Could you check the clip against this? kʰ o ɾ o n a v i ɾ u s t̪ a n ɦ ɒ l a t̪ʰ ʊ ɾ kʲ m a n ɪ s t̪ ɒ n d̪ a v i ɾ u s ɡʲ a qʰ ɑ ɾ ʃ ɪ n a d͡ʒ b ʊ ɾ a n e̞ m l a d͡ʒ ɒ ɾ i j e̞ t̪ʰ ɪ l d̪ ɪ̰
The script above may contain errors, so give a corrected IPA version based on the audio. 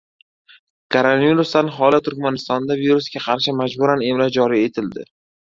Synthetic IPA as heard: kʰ o ɾ o n a v i ɾ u s t̪ a n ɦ ɒ l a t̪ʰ ʊ ɾ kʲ m a n ɪ s t̪ ɒ n d̪ a v i ɾ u s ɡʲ a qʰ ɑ ɾ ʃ ɪ m a d͡ʒ b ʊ ɾ a n e̞ m l a d͡ʒ ɒ ɾ i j e̞ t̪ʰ ɪ l d̪ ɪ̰